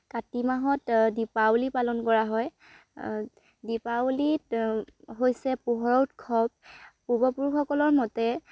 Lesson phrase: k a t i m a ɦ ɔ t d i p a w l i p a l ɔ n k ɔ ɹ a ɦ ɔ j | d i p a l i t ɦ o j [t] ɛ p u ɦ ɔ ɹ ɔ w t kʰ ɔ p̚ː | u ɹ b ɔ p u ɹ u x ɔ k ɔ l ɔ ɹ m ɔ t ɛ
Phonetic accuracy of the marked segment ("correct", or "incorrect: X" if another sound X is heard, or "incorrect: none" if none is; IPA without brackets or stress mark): incorrect: s